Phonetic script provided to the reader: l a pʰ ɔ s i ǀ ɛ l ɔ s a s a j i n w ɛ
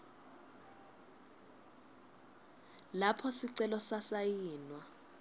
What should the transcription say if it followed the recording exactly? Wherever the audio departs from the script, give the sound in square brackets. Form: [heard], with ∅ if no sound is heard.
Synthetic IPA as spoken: l a pʰ ɔ s i ǀ ɛ l ɔ s a s a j [iː] n w [a]